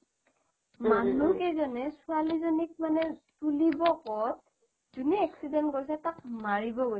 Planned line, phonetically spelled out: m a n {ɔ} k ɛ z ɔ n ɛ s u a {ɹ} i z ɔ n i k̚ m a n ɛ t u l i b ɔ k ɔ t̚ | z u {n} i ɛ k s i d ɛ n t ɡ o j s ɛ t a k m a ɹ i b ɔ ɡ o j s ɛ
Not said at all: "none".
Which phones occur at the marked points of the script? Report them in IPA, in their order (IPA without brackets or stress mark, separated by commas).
u, l, n